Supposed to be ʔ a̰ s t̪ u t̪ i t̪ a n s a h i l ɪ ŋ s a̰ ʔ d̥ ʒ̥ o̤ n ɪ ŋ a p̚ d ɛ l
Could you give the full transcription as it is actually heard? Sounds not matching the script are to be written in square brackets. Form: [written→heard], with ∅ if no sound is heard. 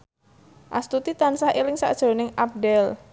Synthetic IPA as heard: ʔ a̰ s t̪ u t̪ i t̪ a n s a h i l ɪ ŋ s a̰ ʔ d̥ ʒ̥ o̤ n ɪ ŋ a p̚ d ɛ l